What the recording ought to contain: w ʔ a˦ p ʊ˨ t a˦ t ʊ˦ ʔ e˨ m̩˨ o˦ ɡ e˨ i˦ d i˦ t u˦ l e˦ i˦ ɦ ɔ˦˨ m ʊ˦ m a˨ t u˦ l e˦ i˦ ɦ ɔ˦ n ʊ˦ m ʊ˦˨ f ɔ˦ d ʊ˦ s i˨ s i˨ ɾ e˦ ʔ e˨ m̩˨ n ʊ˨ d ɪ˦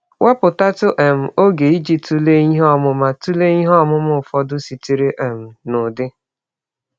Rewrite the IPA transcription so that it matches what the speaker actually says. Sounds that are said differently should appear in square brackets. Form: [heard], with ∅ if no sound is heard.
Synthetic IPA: w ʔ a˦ p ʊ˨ t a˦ t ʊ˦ ʔ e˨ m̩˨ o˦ ɡ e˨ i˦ [d͡ʒ] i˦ t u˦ l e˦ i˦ ɦ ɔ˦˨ m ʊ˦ m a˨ t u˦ l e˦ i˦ ɦ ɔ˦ [m] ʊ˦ m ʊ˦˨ f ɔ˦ d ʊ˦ s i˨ [t] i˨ ɾ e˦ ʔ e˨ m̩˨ n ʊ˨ d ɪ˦